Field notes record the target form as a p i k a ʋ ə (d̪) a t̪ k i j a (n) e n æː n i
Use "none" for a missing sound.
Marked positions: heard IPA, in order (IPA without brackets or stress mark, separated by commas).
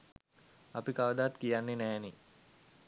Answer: d̪, nː